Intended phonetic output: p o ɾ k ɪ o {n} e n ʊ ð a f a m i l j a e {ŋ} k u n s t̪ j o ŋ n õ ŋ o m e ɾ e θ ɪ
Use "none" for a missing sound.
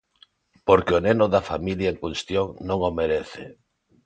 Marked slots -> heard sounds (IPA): n, ŋ

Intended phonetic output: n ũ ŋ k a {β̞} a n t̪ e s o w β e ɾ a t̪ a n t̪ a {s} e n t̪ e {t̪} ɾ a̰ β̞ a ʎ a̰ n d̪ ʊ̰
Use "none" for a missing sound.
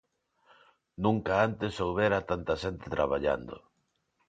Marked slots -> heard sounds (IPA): none, ʃ, t̪

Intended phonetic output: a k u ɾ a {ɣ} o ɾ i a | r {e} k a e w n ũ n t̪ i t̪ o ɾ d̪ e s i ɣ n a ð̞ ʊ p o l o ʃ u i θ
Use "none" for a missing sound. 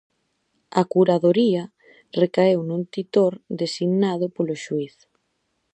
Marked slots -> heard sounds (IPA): ð, e

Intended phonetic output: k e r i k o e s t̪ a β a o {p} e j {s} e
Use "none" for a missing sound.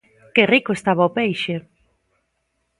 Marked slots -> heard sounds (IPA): p, ʃ

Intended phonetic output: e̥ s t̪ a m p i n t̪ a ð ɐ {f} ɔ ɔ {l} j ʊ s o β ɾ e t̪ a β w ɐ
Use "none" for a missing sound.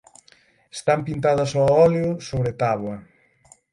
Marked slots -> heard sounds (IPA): s, l

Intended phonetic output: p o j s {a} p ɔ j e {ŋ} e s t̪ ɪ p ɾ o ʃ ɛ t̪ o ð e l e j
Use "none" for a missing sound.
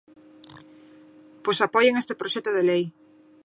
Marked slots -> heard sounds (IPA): a, ŋ

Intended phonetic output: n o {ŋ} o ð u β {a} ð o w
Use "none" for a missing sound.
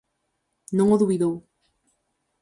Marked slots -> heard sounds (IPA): ŋ, i

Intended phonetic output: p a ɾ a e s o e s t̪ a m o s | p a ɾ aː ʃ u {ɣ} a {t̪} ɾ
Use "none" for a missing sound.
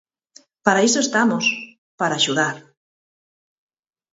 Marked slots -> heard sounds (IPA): ð, none

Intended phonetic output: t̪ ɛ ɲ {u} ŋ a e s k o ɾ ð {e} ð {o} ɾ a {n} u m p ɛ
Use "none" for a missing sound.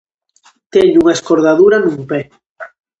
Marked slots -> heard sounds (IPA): u, a, u, n

